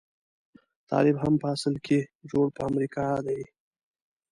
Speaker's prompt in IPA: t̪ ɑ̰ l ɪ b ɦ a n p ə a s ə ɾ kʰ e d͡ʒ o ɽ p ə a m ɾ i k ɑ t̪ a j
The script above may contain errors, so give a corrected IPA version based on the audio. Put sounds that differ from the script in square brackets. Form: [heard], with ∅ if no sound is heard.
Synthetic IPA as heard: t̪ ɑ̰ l ɪ b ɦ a [m] p ə a s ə [l] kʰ e d͡ʒ o ɽ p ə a m ɾ i k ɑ [d̪] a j